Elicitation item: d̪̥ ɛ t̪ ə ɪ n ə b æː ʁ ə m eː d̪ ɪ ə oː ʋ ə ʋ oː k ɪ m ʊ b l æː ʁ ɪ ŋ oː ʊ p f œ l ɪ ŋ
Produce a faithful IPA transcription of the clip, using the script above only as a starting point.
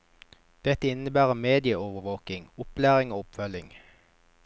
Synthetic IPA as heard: d̪̥ ɛ t̪ ə ɪ n ə b æː ʁ ə m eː d̪ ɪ ə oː ʋ ə ʋ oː k ɪ ŋ ʊ p l æː ʁ ɪ ŋ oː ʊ p f œ l ɪ ŋ